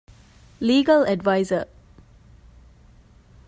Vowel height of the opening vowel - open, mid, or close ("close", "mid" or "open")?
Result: close